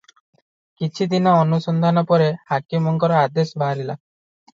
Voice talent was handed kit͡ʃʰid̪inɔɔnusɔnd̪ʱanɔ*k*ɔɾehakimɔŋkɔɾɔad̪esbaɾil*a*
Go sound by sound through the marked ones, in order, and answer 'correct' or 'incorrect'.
incorrect, correct

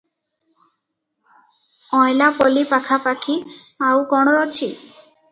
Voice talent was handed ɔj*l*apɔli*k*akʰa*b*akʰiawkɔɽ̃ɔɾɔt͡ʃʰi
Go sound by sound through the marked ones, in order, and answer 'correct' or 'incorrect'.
correct, incorrect, incorrect

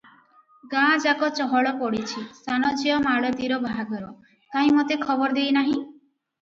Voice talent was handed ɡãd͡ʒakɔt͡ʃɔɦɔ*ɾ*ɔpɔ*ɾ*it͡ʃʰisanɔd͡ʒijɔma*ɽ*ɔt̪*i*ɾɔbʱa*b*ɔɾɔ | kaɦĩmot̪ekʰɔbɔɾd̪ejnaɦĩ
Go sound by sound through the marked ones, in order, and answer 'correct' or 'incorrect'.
incorrect, incorrect, incorrect, correct, incorrect

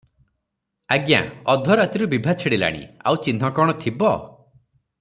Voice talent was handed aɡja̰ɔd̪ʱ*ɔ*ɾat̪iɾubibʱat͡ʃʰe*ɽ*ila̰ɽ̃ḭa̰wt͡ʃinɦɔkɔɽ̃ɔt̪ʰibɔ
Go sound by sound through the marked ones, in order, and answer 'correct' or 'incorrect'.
correct, correct

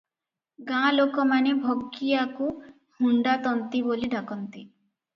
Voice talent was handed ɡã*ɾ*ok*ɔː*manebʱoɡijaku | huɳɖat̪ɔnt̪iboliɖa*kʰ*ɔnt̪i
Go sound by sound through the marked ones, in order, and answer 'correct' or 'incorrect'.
incorrect, incorrect, incorrect

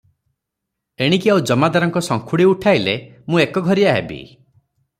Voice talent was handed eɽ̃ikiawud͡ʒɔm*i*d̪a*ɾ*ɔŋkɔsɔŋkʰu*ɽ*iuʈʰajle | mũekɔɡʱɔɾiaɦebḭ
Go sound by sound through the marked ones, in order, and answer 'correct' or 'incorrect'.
incorrect, correct, correct

